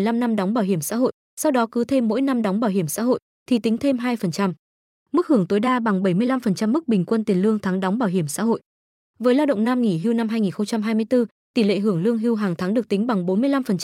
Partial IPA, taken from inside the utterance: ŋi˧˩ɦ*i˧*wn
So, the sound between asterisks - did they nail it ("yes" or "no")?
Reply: yes